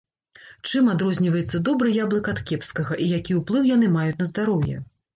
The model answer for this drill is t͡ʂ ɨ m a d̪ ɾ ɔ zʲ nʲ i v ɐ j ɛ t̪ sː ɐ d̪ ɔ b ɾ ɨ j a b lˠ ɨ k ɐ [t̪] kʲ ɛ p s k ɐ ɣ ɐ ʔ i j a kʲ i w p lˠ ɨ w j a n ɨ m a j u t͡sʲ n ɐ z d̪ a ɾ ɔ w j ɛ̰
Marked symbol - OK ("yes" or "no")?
yes